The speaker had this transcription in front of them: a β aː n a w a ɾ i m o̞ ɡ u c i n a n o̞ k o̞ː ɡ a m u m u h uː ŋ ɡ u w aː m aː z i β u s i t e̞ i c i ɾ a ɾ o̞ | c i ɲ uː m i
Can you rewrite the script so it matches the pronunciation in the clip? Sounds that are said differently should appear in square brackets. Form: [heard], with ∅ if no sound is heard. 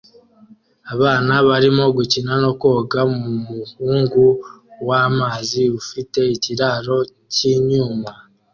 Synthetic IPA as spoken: a β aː n a [β] a ɾ i m o̞ ɡ u c i n a n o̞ k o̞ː ɡ a m u m u h uː ŋ ɡ u w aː m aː z i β u [f] i t e̞ i c i ɾ a ɾ o̞ | c i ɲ uː m [a]